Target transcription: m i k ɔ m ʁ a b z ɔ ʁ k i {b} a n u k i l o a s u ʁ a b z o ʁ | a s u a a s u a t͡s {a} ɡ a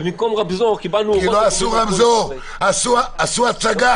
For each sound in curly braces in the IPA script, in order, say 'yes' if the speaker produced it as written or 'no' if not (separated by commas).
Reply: yes, yes